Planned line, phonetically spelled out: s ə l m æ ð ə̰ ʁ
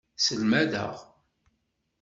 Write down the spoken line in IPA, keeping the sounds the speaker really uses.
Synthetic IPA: s ə l m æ ð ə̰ ʁ